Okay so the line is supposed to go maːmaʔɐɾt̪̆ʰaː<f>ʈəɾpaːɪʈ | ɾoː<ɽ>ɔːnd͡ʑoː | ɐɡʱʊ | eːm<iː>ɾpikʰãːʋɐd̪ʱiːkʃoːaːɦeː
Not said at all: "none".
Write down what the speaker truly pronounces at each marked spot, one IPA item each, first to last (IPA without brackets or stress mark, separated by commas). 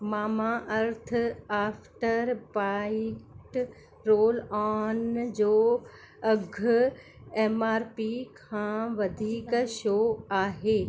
f, l, aː